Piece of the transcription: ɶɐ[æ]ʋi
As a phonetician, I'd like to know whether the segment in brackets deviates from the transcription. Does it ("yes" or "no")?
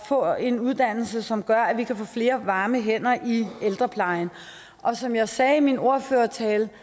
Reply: no